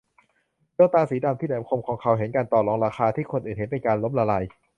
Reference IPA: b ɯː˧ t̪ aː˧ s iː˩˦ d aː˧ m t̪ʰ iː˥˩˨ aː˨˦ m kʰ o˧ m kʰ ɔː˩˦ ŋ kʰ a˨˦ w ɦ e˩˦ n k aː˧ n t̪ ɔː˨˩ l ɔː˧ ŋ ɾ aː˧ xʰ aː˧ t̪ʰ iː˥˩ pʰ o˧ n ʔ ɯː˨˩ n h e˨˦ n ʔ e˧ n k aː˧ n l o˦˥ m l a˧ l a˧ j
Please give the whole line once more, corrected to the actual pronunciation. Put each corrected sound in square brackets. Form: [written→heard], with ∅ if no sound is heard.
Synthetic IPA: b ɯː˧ t̪ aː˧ s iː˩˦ d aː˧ m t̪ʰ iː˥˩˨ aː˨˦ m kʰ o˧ m kʰ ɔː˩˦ ŋ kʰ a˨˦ w ɦ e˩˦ n k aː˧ n t̪ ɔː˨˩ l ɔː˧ ŋ ɾ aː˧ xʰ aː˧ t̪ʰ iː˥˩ [pʰ→kʰ] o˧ n ʔ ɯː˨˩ n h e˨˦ n [ʔ→p] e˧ n k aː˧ n l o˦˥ m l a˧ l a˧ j